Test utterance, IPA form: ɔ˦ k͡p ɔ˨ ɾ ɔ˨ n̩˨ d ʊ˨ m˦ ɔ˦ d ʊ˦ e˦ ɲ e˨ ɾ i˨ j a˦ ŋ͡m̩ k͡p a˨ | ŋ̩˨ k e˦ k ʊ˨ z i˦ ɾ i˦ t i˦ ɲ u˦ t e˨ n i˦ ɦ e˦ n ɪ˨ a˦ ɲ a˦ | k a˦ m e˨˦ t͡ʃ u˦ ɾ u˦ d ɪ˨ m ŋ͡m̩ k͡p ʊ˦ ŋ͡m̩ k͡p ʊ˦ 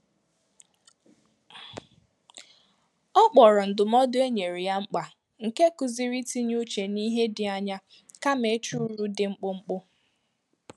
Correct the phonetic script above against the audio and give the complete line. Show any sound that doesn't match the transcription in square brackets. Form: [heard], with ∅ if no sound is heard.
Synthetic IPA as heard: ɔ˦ k͡p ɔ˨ ɾ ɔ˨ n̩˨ d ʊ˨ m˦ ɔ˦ d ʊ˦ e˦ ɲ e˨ ɾ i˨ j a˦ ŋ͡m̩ k͡p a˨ | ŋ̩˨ k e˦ k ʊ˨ z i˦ ɾ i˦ t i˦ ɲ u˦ [t͡ʃ] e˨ n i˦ ɦ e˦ [d] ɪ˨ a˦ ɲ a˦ | k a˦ m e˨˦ t͡ʃ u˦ ɾ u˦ d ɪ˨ [∅] ŋ͡m̩ k͡p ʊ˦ ŋ͡m̩ k͡p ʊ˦